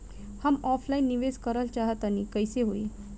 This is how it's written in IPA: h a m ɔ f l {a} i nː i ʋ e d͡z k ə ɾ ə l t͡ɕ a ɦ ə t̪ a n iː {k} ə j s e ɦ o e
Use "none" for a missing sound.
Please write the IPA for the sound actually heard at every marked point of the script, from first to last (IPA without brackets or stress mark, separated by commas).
a, k